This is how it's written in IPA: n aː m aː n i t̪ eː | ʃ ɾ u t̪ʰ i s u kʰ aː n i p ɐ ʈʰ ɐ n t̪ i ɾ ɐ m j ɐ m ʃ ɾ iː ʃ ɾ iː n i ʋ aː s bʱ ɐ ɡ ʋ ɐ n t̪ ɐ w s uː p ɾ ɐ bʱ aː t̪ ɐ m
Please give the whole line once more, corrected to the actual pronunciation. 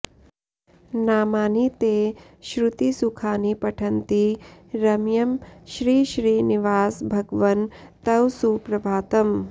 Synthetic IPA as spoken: n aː m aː n i t̪ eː | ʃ ɾ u t̪ i s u kʰ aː n i p ɐ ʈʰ ɐ n t̪ i ɾ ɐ m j ɐ m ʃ ɾ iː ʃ ɾ iː n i ʋ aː s bʱ ɐ ɡ ʋ ɐ n t̪ ɐ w s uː p ɾ ɐ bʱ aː t̪ ɐ m